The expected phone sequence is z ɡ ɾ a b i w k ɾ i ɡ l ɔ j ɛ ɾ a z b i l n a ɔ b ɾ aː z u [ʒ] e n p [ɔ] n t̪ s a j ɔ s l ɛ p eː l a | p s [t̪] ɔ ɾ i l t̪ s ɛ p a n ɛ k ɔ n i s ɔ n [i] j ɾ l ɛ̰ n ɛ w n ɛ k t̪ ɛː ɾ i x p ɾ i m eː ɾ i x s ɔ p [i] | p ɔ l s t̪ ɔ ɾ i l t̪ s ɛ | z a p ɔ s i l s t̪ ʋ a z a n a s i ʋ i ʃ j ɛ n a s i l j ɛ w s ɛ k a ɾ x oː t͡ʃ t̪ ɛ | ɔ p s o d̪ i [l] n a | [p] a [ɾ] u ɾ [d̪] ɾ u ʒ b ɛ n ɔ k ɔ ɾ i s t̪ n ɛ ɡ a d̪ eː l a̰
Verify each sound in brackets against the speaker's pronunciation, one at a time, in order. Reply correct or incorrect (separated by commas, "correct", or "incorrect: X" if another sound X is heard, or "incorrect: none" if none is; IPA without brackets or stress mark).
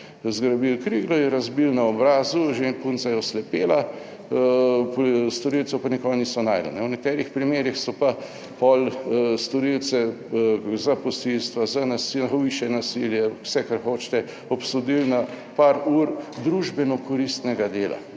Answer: correct, incorrect: u, correct, incorrect: a, incorrect: a, correct, correct, correct, correct